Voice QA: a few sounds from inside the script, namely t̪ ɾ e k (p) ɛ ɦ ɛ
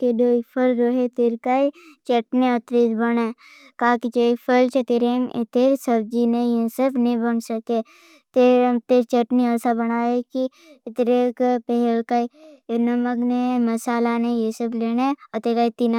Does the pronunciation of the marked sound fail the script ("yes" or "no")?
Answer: no